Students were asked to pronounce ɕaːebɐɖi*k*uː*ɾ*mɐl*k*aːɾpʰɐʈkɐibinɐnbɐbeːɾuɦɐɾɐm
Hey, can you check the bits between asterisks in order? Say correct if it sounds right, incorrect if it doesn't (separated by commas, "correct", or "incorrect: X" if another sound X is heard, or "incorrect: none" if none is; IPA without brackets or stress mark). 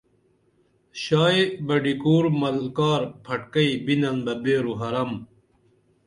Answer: correct, correct, correct